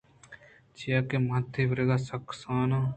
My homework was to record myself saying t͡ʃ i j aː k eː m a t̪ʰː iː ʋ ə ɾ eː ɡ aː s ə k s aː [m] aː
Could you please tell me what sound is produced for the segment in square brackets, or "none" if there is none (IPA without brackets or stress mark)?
n